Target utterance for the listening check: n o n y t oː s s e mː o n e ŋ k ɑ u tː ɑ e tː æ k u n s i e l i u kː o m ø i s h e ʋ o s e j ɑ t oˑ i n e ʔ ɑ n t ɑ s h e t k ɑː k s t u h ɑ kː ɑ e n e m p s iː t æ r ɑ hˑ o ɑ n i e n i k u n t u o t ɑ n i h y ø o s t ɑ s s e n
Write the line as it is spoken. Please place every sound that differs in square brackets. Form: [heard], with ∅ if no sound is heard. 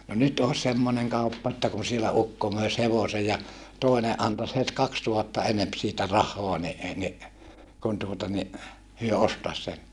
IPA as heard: n o n y t oː s s e mː o n e ŋ k ɑ u [pː] ɑ e tː æ k u n s i e l [æ] u kː o m ø i s h e ʋ o s e j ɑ t oˑ i n e ʔ ɑ n t ɑ s h e t k [ɑ] k s t u h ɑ [tː] ɑ e n e m p s iː t æ r ɑ hˑ o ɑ n i e n i k u n t u o t ɑ n i h y ø o s t ɑ s s e n